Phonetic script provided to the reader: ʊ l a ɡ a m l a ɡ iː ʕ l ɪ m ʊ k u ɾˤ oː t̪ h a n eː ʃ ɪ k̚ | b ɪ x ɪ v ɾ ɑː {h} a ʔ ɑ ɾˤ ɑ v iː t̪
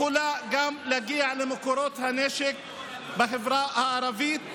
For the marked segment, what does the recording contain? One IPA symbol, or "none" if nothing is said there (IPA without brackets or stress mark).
h